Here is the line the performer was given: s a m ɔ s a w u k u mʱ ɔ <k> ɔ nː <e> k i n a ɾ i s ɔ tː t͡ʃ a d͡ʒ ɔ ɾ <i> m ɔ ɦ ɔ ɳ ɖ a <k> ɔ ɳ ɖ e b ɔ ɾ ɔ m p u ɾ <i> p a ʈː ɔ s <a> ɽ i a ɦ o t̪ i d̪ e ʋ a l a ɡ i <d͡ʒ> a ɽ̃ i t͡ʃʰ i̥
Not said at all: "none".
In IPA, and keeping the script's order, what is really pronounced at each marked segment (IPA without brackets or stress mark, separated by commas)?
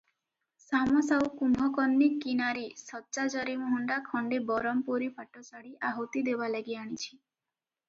k, i, i, kʰ, i, a, none